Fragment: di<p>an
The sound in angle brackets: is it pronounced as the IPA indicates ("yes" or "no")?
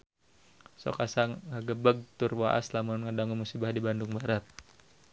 no